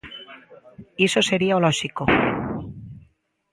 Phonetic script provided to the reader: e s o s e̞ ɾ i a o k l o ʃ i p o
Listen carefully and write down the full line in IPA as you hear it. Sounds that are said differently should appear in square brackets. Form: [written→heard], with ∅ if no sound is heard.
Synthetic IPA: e s o s e̞ ɾ i a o [k→∅] l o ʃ i [p→k] o